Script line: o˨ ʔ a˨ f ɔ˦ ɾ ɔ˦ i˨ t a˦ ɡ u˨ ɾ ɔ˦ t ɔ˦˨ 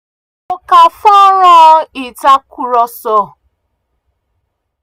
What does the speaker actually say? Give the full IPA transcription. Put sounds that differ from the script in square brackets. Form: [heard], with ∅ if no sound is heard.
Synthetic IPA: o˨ [k] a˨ f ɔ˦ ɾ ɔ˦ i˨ t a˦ [k] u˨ ɾ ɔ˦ [s] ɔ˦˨